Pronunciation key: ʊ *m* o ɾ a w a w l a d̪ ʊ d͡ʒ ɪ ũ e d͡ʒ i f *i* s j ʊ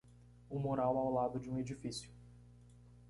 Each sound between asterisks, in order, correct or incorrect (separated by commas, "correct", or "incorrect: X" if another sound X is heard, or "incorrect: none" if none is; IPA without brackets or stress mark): correct, correct